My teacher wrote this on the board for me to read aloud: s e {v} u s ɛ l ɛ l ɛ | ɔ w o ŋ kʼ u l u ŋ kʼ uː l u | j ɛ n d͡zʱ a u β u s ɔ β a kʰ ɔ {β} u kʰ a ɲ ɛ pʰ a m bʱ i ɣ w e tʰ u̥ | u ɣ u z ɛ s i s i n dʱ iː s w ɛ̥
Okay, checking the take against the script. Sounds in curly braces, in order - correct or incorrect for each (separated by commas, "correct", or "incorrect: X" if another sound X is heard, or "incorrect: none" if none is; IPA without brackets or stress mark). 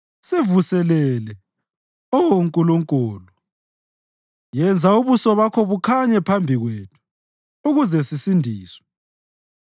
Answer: correct, correct